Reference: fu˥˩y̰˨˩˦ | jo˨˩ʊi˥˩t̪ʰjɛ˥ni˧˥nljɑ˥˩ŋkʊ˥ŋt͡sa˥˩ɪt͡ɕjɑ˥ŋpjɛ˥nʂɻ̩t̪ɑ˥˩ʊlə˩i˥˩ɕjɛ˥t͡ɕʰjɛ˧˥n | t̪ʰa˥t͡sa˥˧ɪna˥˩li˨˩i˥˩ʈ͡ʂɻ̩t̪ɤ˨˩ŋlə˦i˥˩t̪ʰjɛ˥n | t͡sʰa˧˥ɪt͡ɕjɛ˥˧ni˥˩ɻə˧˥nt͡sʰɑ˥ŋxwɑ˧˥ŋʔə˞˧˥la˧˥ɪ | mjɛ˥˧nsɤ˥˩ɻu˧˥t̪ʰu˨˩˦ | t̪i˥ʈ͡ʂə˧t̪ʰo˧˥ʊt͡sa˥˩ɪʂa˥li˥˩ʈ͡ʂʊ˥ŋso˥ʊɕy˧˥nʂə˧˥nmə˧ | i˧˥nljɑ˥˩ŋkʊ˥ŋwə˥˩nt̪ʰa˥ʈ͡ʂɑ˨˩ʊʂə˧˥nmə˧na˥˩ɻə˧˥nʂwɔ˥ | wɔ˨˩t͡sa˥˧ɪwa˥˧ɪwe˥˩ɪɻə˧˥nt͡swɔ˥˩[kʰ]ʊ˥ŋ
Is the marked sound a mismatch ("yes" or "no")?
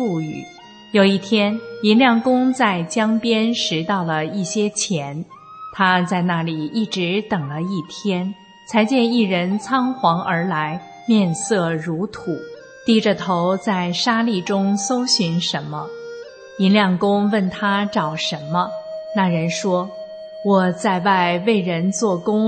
yes